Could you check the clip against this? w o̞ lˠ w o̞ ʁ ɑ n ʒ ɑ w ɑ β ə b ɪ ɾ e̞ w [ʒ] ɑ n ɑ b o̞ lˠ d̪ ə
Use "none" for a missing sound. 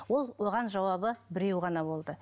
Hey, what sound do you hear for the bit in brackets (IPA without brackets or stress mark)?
ʁ